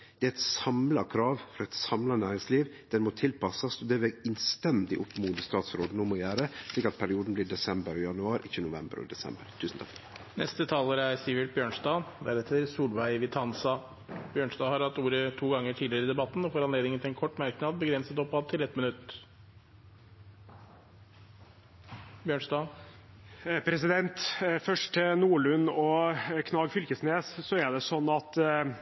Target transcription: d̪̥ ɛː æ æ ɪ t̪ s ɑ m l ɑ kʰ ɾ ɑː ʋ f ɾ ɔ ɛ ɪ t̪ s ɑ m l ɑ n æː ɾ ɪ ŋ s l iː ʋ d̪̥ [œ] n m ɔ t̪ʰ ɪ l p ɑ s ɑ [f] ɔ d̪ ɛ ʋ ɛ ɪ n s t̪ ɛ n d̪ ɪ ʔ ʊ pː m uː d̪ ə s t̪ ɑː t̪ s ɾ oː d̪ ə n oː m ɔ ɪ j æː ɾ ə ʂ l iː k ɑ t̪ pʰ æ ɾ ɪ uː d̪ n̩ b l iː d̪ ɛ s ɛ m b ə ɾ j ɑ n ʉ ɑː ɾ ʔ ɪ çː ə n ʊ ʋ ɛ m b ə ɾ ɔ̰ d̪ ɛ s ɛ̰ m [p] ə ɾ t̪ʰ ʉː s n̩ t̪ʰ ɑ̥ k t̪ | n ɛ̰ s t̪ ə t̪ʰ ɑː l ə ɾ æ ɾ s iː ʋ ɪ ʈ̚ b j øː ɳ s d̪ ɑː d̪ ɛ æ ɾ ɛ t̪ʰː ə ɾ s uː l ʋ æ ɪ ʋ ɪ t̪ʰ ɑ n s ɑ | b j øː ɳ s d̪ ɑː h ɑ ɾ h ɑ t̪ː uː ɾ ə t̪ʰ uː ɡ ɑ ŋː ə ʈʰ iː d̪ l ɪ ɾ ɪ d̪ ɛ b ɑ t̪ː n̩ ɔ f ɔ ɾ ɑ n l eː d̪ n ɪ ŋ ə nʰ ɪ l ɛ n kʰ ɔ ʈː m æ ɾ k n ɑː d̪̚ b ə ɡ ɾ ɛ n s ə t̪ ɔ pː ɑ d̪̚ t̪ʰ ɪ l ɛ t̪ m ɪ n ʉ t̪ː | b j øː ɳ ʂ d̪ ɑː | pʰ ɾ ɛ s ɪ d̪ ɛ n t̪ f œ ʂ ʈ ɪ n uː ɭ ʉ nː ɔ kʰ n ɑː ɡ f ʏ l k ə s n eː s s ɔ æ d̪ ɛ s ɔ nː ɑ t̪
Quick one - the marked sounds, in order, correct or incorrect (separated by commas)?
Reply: incorrect, incorrect, incorrect